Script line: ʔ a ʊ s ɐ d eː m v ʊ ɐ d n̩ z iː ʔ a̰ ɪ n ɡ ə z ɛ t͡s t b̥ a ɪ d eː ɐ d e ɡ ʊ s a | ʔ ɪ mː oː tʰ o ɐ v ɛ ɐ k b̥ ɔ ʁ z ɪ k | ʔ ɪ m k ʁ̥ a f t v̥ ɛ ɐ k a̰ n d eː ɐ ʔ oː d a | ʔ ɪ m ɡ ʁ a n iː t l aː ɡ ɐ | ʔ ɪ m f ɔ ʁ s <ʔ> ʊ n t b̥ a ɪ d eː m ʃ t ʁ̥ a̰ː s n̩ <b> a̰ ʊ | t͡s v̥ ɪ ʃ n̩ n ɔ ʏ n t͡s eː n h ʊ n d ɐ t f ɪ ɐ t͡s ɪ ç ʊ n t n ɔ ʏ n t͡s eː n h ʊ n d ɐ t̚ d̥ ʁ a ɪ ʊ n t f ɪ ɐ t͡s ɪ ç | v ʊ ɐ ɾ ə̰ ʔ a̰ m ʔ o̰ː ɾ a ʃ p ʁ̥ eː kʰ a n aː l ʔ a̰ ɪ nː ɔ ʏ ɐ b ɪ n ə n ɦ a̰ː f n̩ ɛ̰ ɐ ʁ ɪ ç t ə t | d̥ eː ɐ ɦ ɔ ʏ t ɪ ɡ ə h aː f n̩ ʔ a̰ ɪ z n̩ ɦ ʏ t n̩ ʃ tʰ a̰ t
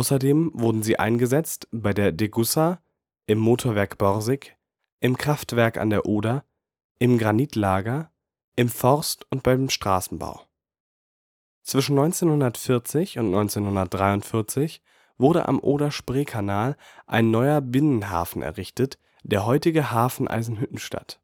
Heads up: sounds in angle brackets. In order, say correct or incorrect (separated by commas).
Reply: incorrect, correct